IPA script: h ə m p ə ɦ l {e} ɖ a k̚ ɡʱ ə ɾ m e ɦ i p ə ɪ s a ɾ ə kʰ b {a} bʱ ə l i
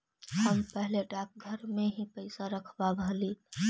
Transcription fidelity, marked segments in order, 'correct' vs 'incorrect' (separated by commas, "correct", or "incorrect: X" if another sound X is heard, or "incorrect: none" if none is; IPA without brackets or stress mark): correct, correct